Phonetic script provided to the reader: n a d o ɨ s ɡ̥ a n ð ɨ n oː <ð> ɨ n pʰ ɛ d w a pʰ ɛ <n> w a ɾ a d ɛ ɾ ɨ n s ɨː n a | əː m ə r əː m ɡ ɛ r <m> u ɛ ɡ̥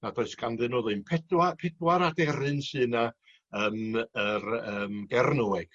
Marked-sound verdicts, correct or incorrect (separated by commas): correct, incorrect, incorrect